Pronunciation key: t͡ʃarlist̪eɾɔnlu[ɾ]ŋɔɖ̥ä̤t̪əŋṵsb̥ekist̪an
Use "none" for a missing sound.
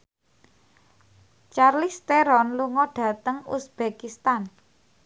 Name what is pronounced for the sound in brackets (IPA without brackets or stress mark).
none